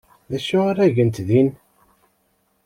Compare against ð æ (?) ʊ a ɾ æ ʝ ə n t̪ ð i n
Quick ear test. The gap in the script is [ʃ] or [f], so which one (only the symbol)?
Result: ʃ